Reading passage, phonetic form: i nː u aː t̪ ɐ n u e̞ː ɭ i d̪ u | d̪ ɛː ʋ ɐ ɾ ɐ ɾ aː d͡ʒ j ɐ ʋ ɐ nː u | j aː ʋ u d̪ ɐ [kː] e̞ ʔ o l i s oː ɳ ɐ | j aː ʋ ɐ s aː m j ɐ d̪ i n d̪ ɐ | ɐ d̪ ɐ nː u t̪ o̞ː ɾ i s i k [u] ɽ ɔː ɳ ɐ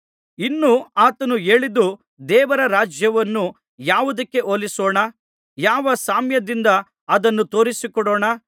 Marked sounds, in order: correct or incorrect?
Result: correct, incorrect

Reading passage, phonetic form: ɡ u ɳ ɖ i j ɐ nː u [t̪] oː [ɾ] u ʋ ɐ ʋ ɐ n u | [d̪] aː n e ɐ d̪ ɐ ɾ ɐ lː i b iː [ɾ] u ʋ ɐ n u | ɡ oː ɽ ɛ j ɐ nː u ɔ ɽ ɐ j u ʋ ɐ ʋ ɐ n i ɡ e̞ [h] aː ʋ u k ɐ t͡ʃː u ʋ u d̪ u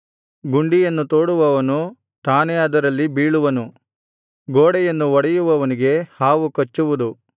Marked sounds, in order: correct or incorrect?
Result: correct, incorrect, incorrect, incorrect, correct

